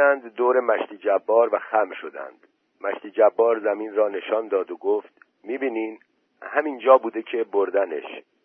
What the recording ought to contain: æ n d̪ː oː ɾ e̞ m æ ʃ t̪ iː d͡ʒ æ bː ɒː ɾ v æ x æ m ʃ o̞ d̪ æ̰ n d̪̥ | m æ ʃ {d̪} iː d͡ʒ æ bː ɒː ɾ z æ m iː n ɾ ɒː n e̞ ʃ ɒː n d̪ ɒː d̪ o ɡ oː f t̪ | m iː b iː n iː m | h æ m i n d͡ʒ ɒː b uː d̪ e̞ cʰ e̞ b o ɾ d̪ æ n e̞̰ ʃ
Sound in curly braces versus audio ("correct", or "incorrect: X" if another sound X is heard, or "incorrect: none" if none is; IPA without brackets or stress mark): incorrect: t̪